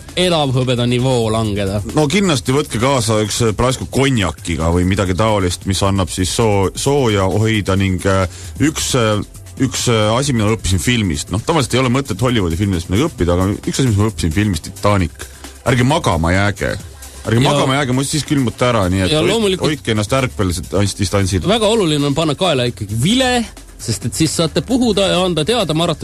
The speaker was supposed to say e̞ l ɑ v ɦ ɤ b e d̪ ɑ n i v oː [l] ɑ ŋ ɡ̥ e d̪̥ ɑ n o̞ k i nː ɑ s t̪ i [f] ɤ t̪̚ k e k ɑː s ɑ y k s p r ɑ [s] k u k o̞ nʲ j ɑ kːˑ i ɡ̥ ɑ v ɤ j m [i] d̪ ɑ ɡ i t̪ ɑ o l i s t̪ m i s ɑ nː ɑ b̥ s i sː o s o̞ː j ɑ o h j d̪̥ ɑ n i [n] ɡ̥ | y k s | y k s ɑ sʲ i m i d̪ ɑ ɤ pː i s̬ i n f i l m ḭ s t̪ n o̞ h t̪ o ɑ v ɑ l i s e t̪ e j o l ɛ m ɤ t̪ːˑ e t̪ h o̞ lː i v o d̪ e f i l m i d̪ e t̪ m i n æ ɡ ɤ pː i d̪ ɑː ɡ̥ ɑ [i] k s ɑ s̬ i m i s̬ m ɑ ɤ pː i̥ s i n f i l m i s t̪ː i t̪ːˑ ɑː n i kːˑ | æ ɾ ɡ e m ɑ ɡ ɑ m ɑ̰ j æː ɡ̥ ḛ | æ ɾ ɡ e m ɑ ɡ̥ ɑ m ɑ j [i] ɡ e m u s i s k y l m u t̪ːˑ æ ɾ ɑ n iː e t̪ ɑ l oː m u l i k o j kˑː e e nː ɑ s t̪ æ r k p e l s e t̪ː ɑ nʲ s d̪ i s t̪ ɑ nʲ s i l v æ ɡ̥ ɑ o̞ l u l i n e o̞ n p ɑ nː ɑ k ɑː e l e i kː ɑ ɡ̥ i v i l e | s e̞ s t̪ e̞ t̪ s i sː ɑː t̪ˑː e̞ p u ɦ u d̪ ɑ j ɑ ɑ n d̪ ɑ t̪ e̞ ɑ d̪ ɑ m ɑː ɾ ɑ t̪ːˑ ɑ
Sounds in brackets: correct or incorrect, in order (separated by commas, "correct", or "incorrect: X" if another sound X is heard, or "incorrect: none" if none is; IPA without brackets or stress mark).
correct, incorrect: v, correct, correct, incorrect: ŋ, incorrect: y, incorrect: æ